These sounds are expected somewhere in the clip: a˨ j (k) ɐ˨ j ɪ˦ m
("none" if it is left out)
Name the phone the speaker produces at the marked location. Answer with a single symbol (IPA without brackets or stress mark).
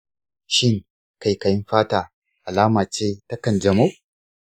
k